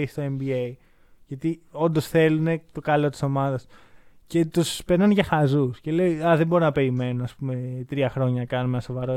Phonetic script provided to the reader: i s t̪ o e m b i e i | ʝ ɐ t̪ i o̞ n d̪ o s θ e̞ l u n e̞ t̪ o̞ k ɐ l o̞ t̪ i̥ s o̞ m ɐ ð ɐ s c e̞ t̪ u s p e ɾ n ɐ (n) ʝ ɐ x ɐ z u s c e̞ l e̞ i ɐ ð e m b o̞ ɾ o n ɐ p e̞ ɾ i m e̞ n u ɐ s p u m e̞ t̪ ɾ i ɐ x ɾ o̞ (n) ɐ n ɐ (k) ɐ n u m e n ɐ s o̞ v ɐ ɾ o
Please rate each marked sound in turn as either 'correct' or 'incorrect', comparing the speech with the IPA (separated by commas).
correct, incorrect, correct